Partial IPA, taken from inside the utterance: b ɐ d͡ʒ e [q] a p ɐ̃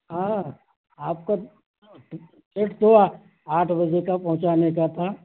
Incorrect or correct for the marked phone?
incorrect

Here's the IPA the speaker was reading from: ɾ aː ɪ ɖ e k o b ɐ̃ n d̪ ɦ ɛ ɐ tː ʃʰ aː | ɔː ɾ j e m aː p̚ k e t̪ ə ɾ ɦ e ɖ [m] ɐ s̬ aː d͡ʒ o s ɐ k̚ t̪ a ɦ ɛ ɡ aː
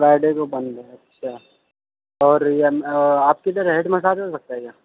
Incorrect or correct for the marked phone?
correct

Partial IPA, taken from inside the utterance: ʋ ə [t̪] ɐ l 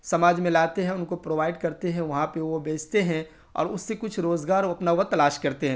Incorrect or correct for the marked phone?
correct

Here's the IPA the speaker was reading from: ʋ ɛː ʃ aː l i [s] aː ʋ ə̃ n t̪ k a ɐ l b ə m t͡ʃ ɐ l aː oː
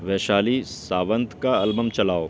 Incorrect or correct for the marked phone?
correct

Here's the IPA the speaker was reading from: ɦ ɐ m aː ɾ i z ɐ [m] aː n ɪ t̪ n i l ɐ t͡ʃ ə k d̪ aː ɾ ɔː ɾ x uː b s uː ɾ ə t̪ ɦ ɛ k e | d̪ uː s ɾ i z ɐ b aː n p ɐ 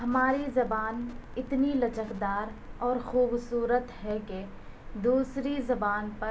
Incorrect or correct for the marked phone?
incorrect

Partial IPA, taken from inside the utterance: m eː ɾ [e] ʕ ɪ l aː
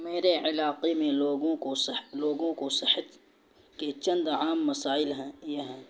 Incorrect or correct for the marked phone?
correct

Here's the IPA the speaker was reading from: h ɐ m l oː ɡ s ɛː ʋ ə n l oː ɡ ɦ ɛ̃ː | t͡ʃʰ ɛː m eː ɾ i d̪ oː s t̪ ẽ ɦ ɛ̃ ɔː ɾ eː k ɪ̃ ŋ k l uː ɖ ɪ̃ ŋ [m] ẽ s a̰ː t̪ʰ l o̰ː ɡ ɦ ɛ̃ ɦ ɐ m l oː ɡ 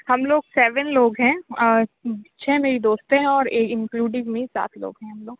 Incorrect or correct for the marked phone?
correct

